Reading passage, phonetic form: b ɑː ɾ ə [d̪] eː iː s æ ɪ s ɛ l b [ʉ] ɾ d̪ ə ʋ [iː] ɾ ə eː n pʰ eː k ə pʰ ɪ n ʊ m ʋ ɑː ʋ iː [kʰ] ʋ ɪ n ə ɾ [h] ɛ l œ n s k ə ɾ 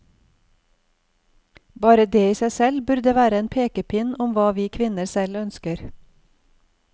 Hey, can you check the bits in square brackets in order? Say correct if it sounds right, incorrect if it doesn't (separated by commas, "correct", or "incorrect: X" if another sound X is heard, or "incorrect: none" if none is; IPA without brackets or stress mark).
correct, correct, incorrect: æː, correct, incorrect: s